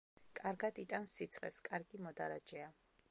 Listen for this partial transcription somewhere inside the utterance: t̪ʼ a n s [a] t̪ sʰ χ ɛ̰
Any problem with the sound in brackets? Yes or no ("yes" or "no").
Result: yes